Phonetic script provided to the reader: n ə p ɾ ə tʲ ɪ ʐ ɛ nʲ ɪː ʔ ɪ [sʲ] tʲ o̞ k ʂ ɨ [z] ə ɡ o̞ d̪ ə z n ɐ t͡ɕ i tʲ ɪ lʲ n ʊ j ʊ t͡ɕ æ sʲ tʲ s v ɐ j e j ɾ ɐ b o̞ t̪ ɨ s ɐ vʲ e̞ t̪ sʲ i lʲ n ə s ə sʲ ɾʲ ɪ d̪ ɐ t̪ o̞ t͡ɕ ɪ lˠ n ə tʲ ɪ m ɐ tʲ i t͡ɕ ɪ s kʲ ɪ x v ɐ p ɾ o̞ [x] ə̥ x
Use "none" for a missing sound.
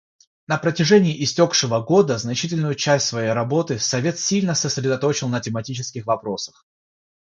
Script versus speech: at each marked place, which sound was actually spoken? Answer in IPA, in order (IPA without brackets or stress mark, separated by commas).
sʲ, v, s